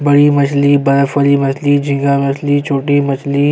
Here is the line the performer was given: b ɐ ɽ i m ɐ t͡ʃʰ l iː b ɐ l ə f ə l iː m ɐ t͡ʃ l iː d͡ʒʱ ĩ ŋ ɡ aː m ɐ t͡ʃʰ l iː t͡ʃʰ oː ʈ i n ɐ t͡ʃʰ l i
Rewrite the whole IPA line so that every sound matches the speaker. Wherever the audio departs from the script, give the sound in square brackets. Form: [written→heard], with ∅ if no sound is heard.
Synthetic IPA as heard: b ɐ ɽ i m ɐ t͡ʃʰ l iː b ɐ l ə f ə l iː m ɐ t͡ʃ l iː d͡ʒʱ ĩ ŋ ɡ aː m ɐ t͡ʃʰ l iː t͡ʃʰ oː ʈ i [n→m] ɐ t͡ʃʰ l i